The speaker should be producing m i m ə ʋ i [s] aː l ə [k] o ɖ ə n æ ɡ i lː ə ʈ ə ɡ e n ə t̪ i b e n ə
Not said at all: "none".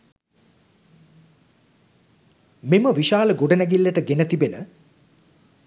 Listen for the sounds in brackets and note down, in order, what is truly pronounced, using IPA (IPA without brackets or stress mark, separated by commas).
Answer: ʃ, ɡ